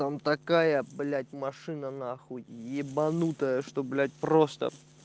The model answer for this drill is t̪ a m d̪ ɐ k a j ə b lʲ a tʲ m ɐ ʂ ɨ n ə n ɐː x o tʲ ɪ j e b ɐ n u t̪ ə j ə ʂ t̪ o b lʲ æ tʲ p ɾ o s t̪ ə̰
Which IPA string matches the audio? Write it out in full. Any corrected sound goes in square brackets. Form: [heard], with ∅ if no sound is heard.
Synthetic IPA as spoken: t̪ a m [t̪] ɐ k a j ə b lʲ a tʲ m ɐ ʂ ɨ n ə n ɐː x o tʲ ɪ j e b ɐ n u t̪ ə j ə ʂ t̪ o b lʲ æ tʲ p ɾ o s t̪ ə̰